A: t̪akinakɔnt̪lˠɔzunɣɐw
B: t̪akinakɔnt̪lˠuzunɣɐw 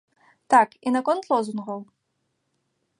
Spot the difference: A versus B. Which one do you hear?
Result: A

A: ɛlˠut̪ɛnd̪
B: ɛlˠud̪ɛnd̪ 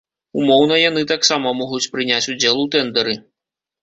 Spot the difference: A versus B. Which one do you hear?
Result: A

